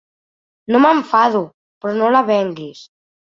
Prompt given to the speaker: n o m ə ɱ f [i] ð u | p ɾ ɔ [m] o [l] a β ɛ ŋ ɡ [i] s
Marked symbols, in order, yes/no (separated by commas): no, no, yes, yes